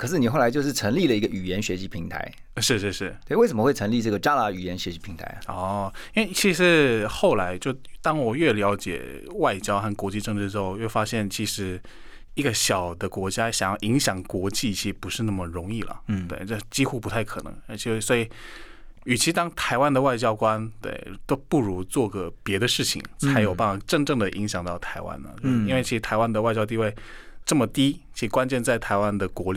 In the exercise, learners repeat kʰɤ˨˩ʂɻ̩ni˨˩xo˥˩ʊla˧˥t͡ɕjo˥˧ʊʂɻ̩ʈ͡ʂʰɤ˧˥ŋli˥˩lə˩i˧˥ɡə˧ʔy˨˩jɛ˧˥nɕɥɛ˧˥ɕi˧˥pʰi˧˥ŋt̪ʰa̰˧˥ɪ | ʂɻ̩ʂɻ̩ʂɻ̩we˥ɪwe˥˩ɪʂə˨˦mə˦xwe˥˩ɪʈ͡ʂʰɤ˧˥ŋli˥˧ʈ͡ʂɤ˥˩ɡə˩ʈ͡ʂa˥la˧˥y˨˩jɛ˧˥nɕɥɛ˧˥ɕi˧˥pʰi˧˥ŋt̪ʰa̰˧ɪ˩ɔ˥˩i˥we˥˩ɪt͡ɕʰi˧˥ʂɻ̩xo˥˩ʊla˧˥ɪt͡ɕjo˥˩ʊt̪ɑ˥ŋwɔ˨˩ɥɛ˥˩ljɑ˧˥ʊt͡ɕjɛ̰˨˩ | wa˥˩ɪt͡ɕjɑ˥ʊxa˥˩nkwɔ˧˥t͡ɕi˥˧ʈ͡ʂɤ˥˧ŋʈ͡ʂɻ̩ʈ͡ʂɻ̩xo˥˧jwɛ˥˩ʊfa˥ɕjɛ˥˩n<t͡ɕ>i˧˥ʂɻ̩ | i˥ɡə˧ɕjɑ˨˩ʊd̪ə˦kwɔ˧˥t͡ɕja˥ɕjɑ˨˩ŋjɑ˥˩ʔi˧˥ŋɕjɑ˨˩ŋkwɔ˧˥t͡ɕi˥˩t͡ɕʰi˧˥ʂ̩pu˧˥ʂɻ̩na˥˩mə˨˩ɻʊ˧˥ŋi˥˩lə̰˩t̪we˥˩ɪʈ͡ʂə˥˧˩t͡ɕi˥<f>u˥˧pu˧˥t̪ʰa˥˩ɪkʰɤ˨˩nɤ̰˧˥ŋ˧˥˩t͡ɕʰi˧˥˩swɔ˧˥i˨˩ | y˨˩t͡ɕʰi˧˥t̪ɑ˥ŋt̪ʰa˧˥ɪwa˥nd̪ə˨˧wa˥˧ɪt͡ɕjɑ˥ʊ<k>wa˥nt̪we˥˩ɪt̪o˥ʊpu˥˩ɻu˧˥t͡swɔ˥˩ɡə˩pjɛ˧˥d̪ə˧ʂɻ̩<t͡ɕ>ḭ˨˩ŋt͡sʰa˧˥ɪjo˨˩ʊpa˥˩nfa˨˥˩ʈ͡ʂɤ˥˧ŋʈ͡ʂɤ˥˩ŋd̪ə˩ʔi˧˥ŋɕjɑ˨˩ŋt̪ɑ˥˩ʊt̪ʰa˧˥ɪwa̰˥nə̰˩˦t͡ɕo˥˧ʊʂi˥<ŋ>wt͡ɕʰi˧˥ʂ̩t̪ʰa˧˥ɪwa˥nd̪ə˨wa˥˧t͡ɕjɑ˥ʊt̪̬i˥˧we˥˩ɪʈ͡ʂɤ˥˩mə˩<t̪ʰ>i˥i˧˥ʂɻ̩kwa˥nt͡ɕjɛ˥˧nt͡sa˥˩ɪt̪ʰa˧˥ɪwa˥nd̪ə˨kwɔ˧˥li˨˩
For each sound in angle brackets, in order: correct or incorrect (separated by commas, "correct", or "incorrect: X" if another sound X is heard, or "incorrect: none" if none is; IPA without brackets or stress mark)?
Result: incorrect: t͡ɕʰ, incorrect: x, correct, incorrect: t͡ɕʰ, incorrect: n, incorrect: t̪